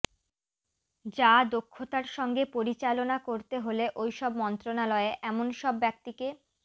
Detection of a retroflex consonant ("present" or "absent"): absent